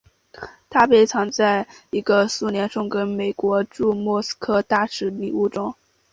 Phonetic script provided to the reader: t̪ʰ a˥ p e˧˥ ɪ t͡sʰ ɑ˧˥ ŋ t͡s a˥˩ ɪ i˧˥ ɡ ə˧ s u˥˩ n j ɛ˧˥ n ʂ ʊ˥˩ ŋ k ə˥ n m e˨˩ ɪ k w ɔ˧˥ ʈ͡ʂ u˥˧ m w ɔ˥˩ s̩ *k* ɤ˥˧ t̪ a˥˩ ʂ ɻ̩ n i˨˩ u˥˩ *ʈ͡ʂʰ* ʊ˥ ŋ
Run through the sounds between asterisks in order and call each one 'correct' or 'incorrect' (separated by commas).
incorrect, incorrect